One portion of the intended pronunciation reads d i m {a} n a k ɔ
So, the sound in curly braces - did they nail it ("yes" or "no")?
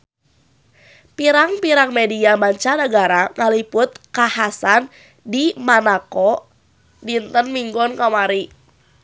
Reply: yes